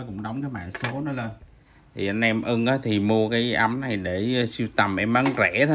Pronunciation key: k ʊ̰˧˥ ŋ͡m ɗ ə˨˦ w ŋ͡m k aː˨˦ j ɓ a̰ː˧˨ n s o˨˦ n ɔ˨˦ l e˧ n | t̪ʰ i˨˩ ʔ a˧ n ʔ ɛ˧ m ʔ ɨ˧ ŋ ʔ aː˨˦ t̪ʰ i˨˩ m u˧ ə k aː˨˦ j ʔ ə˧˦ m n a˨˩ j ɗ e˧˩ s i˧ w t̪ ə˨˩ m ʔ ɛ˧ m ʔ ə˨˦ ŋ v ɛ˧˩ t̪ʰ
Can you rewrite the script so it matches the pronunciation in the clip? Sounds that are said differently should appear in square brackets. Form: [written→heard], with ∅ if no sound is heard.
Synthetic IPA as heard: k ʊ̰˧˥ ŋ͡m ɗ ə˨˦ w ŋ͡m k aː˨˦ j ɓ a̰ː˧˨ n s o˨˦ n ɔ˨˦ l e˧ n | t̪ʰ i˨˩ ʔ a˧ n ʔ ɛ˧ m ʔ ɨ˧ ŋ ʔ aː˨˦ t̪ʰ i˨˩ m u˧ ə k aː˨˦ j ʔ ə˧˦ m n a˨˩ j ɗ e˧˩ s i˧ w t̪ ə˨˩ m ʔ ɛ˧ m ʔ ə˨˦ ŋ [v→z] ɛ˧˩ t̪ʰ